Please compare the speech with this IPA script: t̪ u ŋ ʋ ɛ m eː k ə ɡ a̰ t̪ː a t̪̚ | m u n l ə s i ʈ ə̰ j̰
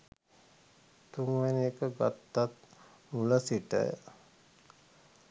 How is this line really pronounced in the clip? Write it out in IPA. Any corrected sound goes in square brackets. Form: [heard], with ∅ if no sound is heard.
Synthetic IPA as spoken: t̪ u ŋ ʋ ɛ [n] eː k ə ɡ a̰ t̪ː a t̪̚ | m u [∅] l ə s i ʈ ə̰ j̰